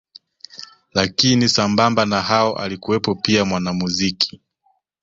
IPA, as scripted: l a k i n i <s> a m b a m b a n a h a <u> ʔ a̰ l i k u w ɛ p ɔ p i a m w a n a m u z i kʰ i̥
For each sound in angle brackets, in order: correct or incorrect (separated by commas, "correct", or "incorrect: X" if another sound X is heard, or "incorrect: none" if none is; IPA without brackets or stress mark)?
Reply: correct, incorrect: ɔ